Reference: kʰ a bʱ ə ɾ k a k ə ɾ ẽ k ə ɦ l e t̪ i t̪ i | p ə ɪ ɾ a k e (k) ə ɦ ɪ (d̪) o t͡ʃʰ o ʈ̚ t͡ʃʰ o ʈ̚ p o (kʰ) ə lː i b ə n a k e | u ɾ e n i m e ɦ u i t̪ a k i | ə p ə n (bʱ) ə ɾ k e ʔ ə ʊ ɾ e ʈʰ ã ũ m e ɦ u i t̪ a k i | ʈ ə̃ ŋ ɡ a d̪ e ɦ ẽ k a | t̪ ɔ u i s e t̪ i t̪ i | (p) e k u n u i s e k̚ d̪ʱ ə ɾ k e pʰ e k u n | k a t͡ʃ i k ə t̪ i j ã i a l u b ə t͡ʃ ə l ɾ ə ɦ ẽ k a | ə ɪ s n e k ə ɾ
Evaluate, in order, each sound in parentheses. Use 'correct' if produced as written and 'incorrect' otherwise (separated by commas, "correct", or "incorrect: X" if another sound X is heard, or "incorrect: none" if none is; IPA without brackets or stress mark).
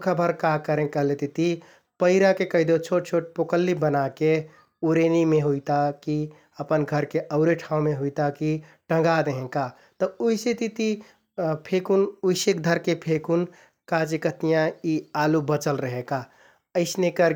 correct, correct, incorrect: k, incorrect: ɡʱ, incorrect: pʰ